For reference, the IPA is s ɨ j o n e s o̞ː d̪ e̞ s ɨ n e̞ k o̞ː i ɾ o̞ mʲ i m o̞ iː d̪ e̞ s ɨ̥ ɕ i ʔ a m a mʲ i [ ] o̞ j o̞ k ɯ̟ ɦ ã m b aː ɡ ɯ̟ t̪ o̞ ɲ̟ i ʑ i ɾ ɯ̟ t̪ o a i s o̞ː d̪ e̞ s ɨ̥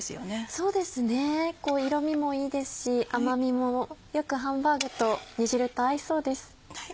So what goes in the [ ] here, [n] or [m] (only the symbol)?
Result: m